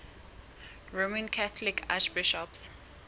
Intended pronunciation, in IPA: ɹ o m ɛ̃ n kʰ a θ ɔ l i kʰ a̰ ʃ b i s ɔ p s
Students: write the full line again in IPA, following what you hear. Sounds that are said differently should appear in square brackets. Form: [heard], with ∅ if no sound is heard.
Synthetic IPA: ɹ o m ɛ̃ n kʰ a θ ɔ l i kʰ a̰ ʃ b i [ʃ] ɔ p s